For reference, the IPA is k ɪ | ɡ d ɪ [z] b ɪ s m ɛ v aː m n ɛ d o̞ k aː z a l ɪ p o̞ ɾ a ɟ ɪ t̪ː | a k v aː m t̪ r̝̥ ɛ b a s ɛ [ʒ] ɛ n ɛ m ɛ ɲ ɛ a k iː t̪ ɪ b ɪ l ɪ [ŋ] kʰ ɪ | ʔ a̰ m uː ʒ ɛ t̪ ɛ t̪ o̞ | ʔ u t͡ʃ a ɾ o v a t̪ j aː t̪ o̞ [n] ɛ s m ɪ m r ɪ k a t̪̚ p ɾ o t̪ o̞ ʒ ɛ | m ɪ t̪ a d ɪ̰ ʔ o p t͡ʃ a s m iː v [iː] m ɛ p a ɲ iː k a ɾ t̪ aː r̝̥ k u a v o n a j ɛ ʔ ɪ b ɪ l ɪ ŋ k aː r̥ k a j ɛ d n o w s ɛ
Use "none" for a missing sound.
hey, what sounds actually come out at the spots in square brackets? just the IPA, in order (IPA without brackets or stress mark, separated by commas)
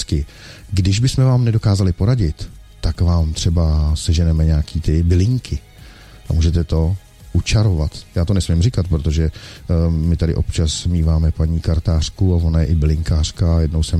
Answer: ʒ, ʒ, ŋ, n, aː